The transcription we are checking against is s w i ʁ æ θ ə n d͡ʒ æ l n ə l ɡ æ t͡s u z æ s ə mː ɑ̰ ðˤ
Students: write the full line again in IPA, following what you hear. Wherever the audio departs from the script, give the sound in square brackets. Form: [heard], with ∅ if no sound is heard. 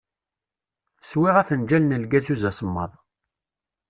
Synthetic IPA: s w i ʁ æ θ ə n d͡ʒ æ l n ə l ɡ æ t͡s u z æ s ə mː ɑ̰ ðˤ